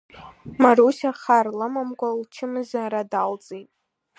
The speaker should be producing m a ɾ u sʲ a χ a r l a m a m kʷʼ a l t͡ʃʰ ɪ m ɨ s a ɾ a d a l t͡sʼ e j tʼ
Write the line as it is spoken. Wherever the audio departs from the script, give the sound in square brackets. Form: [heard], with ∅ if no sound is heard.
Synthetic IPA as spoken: m a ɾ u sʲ a χ a r l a m a m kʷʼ a l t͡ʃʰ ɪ m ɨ [z] a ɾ a d a l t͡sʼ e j tʼ